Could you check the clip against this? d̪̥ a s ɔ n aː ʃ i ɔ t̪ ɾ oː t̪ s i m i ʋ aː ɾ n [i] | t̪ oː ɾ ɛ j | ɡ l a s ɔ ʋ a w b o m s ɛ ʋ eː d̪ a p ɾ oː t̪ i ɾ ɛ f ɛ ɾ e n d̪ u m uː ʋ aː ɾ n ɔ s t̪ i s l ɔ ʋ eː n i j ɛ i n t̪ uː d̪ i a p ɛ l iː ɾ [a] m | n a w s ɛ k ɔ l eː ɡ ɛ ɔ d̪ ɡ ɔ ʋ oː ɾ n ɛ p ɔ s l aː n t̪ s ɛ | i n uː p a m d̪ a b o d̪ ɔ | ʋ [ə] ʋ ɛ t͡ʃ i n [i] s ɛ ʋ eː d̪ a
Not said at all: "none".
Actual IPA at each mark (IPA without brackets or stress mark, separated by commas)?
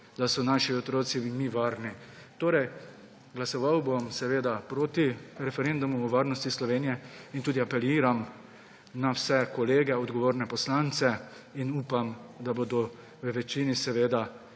i, a, ə, i